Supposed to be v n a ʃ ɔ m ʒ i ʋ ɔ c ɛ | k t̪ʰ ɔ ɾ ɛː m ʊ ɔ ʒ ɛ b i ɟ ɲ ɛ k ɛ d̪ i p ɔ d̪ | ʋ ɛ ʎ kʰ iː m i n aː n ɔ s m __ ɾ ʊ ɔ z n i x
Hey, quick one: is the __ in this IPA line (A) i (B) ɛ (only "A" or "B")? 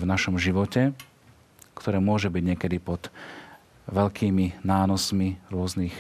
A